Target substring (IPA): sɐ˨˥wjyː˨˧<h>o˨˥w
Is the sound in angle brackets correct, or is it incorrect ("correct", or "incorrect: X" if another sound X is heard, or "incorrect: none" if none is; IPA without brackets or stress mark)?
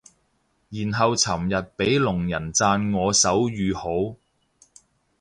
correct